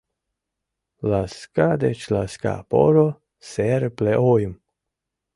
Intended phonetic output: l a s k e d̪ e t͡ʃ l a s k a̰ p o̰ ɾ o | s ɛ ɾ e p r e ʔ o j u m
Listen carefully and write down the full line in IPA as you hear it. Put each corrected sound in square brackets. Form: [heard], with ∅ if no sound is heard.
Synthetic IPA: l a s k [a] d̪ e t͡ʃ l a s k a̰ p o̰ ɾ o | s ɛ ɾ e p [l] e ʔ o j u m